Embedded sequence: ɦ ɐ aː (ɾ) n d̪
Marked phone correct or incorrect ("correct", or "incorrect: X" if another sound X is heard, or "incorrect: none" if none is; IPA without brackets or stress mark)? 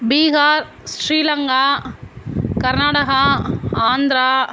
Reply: incorrect: none